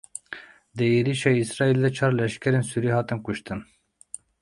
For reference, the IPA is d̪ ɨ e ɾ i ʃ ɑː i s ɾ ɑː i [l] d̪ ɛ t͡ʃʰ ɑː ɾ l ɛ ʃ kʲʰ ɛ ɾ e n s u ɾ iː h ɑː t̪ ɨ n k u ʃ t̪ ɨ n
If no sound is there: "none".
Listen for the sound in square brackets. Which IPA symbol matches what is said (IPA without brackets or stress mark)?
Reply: l